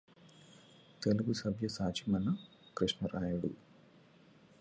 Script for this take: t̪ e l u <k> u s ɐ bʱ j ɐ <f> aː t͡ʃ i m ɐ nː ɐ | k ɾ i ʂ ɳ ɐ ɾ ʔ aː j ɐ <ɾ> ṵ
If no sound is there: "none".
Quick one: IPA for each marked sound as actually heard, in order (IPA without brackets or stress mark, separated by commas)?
ɡ, s, ɽ